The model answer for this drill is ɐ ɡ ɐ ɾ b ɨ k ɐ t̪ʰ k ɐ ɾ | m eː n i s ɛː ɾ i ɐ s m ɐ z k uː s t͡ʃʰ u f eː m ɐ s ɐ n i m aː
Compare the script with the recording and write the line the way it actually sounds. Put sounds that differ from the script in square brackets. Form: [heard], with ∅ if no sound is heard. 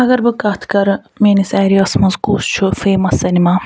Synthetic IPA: ɐ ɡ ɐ ɾ b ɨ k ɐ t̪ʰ k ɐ ɾ | m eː n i s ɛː ɾ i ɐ s m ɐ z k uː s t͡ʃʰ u f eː m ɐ s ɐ n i m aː